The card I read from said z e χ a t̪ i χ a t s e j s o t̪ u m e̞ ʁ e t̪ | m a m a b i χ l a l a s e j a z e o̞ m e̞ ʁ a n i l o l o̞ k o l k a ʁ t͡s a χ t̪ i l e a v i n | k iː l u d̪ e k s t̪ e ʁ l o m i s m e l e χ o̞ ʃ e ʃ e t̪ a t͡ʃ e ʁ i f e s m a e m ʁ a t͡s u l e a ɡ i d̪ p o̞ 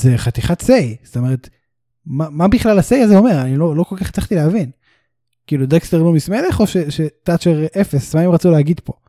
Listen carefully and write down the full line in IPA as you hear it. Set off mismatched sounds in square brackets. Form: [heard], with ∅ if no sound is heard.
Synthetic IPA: z e χ a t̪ i χ a t s e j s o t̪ [o] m e̞ ʁ e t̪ | m a m a b i χ l a l a s e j a z e o̞ m e̞ ʁ a n i l o l o̞ k o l k a [χ] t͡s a χ t̪ i l e a v i n | k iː l u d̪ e k s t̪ e ʁ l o m i s m e l e χ o̞ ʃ e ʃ e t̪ a t͡ʃ e ʁ [e] f e s m a e m ʁ a t͡s u l e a ɡ i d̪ p o̞